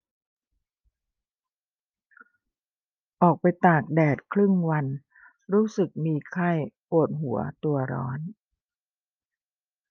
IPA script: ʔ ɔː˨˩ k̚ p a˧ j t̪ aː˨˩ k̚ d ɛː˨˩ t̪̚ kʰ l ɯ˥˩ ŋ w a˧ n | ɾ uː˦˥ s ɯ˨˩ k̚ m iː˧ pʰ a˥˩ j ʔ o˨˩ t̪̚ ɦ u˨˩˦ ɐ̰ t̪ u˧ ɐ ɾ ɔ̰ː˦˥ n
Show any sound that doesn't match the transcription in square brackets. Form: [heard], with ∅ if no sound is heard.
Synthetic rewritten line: ʔ ɔː˨˩ k̚ p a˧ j t̪ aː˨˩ k̚ d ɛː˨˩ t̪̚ kʰ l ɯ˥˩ ŋ w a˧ n | ɾ uː˦˥ s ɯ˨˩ k̚ m iː˧ [kʰ] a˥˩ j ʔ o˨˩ t̪̚ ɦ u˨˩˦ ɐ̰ t̪ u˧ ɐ ɾ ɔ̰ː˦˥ n

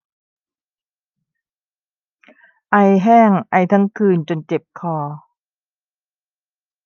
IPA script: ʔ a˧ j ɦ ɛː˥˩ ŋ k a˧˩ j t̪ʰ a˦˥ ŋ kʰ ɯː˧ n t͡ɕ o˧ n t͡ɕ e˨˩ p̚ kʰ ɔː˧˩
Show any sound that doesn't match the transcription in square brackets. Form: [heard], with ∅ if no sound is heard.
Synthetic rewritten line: ʔ a˧ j ɦ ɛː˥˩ ŋ [ʔ] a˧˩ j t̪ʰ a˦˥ ŋ kʰ ɯː˧ n t͡ɕ o˧ n t͡ɕ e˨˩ p̚ kʰ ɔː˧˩

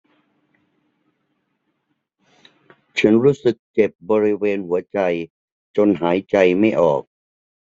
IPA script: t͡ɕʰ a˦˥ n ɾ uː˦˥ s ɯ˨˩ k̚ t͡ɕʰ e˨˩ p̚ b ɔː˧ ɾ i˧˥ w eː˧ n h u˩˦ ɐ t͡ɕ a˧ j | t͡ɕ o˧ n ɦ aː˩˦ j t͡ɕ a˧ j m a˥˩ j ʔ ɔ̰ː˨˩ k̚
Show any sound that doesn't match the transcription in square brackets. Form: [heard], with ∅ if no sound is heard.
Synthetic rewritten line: t͡ɕʰ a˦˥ n ɾ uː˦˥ s ɯ˨˩ k̚ [t͡ɕ] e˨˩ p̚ b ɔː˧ ɾ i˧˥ w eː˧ n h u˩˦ ɐ t͡ɕ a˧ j | t͡ɕ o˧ n ɦ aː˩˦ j t͡ɕ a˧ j m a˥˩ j ʔ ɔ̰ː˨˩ k̚

